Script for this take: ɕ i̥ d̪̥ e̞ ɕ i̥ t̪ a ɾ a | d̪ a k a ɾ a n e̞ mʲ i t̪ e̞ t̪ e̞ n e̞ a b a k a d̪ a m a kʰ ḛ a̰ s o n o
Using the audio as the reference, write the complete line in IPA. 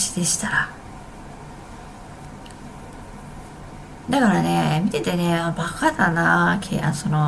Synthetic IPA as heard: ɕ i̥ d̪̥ e̞ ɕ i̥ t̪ a ɾ a | d̪ a k a ɾ a n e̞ mʲ i t̪ e̞ t̪ e̞ n e̞ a b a k a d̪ a n a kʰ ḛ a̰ s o n o